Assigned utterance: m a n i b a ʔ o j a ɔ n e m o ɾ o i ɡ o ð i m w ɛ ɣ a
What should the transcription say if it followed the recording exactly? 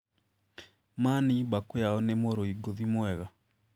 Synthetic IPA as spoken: m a n i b a k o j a ɔ n e m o ɾ o i ɡ o ð i m w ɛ ɣ a